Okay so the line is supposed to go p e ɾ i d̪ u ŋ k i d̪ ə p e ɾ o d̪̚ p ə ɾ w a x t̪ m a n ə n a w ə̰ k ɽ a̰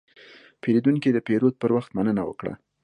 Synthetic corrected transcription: p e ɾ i d̪ u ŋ k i d̪ ə p e ɾ o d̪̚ p ə ɾ w a x t̪ m a n ə n a w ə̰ k ɽ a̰